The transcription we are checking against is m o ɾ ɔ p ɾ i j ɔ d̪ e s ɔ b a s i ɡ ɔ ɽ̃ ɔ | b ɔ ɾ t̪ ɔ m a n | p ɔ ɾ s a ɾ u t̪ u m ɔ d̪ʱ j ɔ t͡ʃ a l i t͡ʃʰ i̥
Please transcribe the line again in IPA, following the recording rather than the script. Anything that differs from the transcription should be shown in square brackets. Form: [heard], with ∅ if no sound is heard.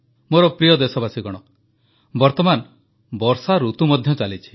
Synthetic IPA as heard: m o ɾ ɔ p ɾ i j ɔ d̪ e s ɔ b a s i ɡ ɔ ɽ̃ ɔ | b ɔ ɾ t̪ ɔ m a n | [b] ɔ ɾ s a ɾ u t̪ u m ɔ d̪ʱ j ɔ t͡ʃ a l i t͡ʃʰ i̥